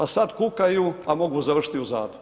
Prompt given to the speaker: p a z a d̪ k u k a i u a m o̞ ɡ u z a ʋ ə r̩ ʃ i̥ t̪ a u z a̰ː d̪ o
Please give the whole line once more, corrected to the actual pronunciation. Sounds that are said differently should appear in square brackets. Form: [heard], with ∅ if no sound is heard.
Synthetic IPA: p a [s] a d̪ k u k a [j] u a m o̞ ɡ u z a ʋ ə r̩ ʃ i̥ t̪ [i] u z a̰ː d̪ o